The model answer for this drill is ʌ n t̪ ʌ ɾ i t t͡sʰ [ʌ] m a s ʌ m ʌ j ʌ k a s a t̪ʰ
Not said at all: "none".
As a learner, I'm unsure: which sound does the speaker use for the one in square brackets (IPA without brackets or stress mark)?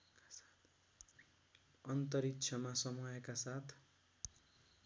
ʌ